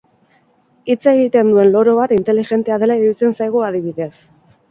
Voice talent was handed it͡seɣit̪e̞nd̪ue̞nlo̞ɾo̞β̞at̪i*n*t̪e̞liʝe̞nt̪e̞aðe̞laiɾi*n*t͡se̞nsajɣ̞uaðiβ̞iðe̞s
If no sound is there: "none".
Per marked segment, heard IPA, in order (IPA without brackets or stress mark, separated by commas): n, none